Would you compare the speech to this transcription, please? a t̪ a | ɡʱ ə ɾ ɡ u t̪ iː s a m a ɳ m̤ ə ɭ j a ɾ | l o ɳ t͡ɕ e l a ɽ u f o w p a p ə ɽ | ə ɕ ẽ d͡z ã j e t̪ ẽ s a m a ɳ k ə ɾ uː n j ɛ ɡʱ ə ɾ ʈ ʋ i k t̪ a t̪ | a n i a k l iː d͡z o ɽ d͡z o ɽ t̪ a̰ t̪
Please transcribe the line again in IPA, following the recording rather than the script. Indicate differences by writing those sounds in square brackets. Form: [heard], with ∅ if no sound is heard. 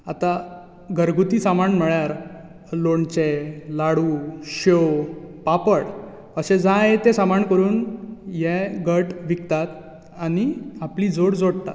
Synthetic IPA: a t̪ a | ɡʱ ə ɾ ɡ u t̪ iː s a m a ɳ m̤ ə ɭ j a ɾ | l o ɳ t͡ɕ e l a ɽ u [ɕ] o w p a p ə ɽ | ə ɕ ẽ d͡z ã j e t̪ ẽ s a m a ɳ k ə ɾ uː n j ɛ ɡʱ ə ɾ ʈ ʋ i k t̪ a t̪ | a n i a [p] l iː d͡z o ɽ d͡z o ɽ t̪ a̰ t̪